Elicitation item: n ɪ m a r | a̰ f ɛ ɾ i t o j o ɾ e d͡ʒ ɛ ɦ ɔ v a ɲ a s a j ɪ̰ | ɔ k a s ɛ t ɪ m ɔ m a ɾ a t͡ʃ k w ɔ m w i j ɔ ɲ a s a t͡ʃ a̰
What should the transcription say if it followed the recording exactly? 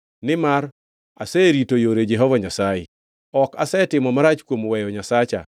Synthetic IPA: n ɪ m a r | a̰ s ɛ ɾ i t o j o ɾ e d͡ʒ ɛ ɦ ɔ v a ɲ a s a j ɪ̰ | ɔ k a s ɛ t ɪ m ɔ m a ɾ a t͡ʃ k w o m w ɛ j ɔ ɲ a s a t͡ʃ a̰